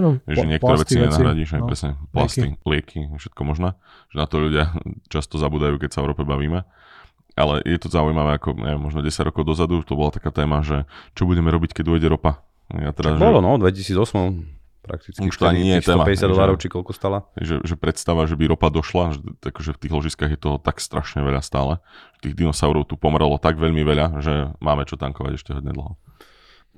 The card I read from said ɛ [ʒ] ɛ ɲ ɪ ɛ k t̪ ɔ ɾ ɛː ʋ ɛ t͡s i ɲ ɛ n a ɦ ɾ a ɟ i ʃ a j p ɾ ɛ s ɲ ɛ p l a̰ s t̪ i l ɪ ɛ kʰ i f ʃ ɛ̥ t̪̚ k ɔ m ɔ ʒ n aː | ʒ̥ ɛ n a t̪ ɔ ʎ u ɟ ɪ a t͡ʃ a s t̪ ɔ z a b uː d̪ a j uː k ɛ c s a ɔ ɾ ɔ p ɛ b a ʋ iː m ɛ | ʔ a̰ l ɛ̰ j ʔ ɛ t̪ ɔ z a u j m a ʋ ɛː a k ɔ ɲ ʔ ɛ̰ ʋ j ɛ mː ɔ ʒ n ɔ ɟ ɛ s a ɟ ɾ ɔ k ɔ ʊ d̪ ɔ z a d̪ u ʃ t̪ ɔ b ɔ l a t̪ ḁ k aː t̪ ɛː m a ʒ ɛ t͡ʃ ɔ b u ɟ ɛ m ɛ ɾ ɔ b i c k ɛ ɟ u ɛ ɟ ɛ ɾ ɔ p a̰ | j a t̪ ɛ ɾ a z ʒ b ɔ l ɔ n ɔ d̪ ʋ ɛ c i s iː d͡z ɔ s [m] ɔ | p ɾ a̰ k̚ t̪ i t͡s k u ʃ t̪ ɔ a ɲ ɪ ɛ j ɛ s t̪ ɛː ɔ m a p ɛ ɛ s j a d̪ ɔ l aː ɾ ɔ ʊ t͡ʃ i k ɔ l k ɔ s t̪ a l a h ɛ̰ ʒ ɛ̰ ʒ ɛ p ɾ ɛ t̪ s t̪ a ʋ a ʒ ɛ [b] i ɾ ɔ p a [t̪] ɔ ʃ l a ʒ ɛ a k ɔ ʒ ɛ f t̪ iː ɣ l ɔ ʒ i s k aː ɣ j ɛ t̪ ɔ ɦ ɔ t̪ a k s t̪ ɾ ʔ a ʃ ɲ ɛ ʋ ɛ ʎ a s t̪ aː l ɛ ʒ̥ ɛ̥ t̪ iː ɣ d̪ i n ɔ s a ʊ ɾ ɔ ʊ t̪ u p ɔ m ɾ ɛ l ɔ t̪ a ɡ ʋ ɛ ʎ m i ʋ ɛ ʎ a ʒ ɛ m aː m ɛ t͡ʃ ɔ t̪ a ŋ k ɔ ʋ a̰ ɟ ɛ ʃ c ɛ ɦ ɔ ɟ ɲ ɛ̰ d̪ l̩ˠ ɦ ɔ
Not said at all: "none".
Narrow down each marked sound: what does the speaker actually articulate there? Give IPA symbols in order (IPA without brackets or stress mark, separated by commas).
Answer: ʒ, m, b, d̪